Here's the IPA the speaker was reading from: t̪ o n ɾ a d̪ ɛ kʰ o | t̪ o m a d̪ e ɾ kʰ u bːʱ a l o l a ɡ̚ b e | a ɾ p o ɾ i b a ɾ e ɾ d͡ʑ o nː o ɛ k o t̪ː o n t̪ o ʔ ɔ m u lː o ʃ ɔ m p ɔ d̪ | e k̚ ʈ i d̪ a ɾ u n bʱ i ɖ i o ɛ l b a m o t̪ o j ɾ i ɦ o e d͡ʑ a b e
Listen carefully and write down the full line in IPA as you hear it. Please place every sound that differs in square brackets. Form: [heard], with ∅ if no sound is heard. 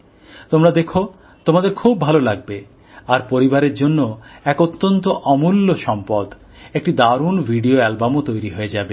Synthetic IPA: t̪ o [m] ɾ a d̪ [e] kʰ o | t̪ o m a d̪ e ɾ kʰ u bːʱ a l o l a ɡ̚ b e | a ɾ p o ɾ i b a ɾ e ɾ d͡ʑ o nː o ɛ k o t̪ː o n t̪ o ʔ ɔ m u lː o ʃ ɔ m p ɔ d̪ | e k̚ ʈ i d̪ a ɾ u n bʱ i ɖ i o ɛ l b a m o t̪ o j ɾ i ɦ o e d͡ʑ a b e